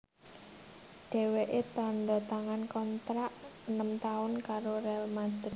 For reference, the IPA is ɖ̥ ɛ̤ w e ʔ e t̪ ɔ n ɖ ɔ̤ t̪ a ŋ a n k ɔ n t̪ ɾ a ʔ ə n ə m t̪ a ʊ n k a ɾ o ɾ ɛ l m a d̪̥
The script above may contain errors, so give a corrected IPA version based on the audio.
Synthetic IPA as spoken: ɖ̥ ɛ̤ w e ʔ e t̪ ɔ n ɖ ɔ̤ t̪ a ŋ a n k ɔ n t̪ ɾ a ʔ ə n ə m t̪ a ʊ n k a ɾ o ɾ ɛ l m a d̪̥